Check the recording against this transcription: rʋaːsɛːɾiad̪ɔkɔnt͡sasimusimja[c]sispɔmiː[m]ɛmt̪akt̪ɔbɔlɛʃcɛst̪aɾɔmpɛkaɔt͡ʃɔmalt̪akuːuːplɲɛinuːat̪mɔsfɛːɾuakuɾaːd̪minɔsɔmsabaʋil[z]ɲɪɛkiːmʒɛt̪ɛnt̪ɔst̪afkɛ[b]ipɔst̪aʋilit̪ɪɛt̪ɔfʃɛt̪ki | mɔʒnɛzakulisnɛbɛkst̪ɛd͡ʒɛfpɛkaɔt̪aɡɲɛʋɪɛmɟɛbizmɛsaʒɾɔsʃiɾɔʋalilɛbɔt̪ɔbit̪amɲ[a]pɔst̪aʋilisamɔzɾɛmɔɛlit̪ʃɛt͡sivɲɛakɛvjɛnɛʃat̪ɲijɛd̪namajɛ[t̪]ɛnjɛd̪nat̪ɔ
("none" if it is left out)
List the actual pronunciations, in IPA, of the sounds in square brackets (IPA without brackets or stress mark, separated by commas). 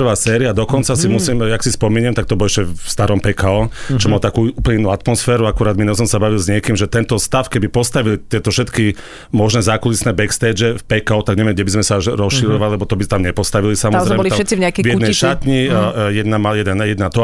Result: k, ɲ, z, b, ɛ, d̪